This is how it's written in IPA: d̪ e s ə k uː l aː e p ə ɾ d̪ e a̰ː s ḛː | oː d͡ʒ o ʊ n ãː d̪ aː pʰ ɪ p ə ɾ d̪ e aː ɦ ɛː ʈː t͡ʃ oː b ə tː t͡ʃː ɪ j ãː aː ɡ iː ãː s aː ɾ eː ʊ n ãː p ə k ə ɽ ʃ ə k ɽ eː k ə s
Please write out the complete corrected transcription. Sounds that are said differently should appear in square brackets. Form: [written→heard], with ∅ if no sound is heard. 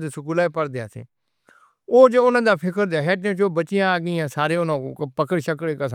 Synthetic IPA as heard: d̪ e s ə k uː l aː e p ə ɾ d̪ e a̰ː s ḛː | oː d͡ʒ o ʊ n ãː d̪ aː pʰ ɪ [p→k] ə ɾ d̪ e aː ɦ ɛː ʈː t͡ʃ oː b ə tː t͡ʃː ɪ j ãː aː ɡ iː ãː s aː ɾ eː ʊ n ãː p ə k ə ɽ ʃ ə k ɽ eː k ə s